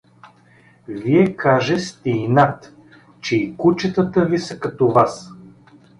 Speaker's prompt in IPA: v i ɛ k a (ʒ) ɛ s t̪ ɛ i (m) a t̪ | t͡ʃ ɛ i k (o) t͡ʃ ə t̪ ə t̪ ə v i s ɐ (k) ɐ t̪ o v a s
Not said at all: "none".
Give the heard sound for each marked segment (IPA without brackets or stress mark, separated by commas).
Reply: ʒ, n, u, k